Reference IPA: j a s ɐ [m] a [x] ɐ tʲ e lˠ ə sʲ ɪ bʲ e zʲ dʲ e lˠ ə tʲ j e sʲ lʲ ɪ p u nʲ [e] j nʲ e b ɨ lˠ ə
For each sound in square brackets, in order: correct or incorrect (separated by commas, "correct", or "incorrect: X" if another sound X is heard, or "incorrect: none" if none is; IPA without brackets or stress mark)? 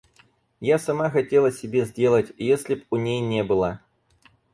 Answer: correct, correct, correct